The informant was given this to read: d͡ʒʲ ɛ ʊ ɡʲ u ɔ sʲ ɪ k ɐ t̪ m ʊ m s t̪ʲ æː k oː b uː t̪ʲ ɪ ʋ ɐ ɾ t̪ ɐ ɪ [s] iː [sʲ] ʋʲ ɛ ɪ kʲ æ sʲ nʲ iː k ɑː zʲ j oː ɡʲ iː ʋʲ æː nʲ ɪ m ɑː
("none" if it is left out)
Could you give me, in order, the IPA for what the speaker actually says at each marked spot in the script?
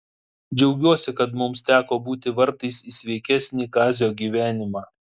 s, sʲ

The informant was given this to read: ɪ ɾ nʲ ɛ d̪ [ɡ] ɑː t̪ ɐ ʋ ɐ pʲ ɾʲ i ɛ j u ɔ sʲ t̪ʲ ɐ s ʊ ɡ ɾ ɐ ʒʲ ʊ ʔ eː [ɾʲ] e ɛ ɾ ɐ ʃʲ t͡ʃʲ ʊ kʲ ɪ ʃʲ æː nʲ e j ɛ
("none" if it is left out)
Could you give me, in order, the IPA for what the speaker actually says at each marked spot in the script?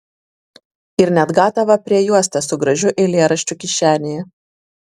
ɡ, lʲ

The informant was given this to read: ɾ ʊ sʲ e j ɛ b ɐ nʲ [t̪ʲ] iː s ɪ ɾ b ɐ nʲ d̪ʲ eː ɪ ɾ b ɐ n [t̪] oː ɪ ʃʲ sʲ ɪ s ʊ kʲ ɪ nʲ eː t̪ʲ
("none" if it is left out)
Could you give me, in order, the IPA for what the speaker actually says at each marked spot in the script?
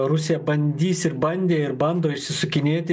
d̪ʲ, d̪

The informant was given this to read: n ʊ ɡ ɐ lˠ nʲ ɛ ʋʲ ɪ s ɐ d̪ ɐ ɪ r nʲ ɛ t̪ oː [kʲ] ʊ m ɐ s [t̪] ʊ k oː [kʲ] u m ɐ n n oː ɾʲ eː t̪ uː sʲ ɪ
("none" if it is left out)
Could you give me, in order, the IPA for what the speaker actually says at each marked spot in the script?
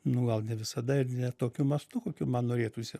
kʲ, t̪, kʲ

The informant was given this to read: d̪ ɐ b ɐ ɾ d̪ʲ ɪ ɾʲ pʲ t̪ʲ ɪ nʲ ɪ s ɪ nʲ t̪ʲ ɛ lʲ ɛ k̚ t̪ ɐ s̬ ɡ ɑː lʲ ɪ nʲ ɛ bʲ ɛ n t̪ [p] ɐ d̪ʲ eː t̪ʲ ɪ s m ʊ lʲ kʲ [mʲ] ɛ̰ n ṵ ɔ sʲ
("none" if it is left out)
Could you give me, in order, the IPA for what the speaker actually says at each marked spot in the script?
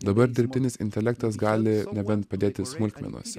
p, mʲ

